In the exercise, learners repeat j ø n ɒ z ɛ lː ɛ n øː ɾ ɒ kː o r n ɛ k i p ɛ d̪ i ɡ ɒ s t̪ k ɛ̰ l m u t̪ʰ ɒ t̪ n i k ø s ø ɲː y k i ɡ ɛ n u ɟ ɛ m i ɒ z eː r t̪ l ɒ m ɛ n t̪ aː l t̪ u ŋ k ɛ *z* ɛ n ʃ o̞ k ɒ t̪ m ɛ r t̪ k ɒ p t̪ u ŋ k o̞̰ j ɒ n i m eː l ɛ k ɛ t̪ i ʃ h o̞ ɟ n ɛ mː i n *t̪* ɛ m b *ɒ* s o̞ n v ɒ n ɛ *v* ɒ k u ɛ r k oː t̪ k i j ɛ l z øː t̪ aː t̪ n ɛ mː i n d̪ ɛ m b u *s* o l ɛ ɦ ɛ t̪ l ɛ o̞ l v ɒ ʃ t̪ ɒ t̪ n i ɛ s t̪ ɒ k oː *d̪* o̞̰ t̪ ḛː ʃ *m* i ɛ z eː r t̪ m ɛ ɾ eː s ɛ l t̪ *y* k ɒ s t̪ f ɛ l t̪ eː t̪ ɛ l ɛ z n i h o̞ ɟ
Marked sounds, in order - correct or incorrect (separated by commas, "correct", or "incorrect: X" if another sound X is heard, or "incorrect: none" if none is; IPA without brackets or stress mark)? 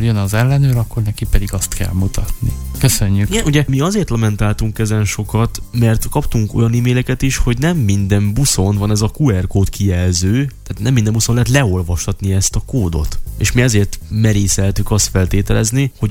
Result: correct, incorrect: d̪, incorrect: u, incorrect: z, correct, correct, correct, correct